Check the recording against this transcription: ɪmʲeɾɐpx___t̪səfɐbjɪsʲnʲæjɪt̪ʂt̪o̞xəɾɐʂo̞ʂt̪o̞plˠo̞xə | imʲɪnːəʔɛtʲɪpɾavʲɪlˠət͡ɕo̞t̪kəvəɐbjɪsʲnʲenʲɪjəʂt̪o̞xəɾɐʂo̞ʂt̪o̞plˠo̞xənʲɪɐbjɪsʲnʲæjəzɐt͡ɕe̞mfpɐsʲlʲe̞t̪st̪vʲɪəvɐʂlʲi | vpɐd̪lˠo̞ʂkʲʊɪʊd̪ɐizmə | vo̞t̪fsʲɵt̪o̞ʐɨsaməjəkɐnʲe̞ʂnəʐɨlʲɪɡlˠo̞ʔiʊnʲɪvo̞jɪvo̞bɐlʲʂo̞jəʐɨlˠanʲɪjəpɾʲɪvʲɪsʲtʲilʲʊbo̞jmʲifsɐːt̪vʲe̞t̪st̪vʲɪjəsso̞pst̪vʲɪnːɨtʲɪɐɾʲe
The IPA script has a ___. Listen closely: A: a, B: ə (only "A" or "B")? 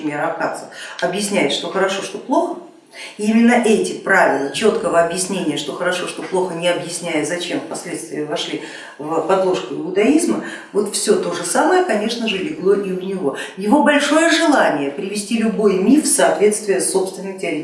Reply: A